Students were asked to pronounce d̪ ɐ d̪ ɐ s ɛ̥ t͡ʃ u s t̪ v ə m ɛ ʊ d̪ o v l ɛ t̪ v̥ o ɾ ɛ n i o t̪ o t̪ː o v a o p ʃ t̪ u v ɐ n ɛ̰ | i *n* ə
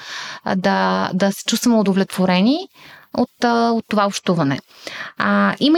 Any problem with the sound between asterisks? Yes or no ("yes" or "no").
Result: yes